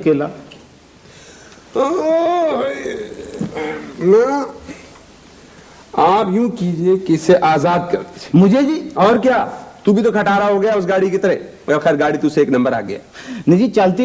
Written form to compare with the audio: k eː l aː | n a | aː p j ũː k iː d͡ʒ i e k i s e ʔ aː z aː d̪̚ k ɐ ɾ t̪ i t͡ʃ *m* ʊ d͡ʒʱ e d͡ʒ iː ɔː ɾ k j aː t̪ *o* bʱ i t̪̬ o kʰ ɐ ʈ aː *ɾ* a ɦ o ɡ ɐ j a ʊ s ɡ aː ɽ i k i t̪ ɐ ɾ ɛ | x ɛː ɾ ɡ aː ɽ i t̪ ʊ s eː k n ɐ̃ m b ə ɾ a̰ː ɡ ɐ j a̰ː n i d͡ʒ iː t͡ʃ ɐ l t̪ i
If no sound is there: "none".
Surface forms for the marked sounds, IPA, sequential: m, u, ɾ

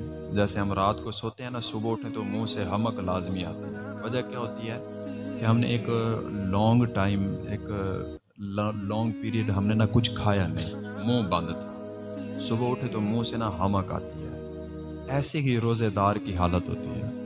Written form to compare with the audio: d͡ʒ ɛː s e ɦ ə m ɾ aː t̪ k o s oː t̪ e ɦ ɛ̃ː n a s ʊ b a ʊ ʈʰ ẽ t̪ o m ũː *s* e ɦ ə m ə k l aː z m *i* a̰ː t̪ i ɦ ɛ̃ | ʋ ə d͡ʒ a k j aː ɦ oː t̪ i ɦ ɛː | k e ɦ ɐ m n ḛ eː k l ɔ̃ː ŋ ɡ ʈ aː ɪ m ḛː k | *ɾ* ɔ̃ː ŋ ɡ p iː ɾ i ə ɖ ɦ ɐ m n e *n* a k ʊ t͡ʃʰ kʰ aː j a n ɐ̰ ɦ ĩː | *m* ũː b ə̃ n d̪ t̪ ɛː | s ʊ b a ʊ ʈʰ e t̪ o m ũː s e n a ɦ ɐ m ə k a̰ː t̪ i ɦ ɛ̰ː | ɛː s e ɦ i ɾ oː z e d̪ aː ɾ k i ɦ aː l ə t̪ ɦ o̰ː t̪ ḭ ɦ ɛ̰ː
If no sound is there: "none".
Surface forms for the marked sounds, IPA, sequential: s, i, l, n, m

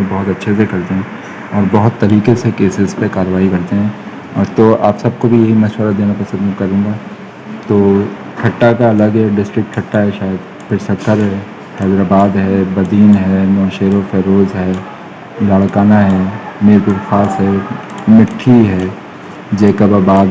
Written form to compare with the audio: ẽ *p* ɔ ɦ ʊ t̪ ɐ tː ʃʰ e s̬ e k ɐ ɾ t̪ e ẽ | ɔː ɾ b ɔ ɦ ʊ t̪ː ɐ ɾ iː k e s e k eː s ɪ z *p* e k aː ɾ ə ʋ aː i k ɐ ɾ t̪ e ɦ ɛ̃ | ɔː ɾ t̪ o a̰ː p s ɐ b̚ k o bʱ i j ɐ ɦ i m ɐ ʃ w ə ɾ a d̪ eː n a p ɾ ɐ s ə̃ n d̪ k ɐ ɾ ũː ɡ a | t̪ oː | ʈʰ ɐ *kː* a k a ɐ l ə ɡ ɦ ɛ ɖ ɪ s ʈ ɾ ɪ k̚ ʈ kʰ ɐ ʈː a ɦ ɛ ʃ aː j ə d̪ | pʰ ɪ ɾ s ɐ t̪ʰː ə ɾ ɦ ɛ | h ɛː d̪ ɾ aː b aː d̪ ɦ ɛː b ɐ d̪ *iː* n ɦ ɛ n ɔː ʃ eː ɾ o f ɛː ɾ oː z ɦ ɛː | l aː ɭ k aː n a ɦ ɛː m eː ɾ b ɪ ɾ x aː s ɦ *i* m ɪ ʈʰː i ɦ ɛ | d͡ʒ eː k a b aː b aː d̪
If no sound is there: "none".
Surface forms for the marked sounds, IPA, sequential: b, p, ʈː, iː, ɛ

